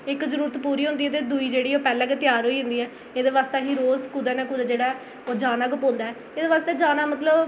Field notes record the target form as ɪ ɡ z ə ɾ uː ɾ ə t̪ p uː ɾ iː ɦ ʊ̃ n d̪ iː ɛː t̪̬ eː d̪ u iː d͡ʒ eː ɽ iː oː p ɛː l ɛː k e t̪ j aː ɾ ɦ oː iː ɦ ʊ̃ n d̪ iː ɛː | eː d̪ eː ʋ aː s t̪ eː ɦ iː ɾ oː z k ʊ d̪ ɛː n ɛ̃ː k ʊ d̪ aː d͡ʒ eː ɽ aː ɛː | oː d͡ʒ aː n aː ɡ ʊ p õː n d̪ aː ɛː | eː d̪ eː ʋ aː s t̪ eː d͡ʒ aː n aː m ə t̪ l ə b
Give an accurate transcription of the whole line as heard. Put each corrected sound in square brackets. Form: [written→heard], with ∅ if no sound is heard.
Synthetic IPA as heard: ɪ [ɡ→k] z ə ɾ uː ɾ ə t̪ p uː ɾ iː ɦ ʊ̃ n d̪ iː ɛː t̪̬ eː d̪ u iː d͡ʒ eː ɽ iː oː p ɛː l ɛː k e t̪ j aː ɾ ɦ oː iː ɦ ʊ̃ n d̪ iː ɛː | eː d̪ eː ʋ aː s t̪ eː ɦ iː ɾ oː z k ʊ d̪ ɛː n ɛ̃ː k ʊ d̪ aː d͡ʒ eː ɽ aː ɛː | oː d͡ʒ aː n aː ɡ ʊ p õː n d̪ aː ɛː | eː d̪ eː ʋ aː s t̪ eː d͡ʒ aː n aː m ə t̪ l ə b